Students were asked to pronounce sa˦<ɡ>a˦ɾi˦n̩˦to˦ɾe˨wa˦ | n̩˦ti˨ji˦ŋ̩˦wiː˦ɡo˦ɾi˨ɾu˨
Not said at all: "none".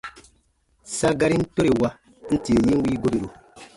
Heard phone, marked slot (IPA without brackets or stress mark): ɡ